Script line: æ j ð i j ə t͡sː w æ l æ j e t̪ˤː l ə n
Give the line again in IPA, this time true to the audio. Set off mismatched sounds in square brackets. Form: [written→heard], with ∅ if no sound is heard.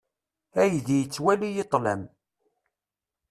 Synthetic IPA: æ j ð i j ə t͡sː w æ l [æ→i] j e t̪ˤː l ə [n→m]